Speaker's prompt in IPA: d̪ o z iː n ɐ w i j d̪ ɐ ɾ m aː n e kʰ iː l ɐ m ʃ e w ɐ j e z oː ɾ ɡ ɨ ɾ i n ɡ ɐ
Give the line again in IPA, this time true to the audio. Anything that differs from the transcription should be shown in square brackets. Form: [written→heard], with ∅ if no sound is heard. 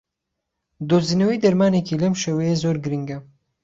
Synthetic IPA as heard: d̪ o z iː n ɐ w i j d̪ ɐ ɾ m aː n e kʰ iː l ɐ m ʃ e w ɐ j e z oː ɾ ɡ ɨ ɾ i [n→ŋ] ɡ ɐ